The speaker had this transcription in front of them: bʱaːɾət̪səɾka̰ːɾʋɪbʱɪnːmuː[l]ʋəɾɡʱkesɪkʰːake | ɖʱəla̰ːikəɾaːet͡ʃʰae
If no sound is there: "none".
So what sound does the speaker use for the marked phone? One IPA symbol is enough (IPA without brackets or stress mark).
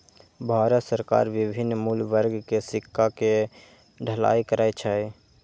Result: l